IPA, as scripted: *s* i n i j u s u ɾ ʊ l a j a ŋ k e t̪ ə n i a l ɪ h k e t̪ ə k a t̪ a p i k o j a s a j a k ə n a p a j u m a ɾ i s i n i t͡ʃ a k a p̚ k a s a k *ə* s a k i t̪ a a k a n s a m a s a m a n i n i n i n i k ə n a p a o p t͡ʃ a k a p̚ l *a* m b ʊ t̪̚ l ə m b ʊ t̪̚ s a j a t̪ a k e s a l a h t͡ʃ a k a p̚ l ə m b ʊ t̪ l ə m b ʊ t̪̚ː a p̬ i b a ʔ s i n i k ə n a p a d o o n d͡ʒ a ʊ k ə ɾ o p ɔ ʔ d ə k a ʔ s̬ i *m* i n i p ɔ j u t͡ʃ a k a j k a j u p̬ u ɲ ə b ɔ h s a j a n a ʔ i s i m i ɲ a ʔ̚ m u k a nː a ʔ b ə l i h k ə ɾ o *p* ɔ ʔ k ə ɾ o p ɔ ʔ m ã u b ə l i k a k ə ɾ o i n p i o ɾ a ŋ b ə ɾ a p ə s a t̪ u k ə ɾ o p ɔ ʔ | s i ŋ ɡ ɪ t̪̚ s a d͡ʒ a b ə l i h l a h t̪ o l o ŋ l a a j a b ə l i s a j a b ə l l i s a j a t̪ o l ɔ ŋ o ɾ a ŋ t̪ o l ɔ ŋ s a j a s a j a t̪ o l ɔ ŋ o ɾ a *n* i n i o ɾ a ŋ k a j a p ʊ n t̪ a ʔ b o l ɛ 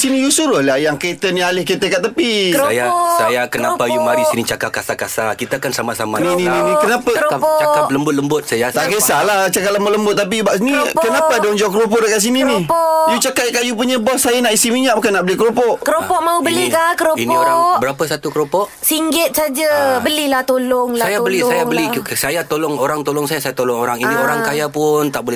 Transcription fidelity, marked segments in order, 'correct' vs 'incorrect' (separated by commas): correct, incorrect, incorrect, incorrect, correct, incorrect